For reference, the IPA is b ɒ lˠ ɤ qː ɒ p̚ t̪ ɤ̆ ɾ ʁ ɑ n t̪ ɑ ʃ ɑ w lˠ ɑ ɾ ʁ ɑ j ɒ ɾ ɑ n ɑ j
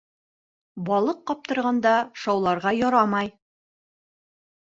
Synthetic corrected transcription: b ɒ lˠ ɤ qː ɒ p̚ t̪ ɤ̆ ɾ ʁ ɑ n d̪ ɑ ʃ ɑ w lˠ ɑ ɾ ʁ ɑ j ɒ ɾ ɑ m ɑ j